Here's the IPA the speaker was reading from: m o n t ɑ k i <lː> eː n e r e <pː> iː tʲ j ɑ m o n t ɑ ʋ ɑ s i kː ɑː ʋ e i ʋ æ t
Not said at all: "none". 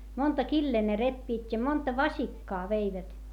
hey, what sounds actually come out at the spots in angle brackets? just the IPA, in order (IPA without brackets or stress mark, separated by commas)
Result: lː, pː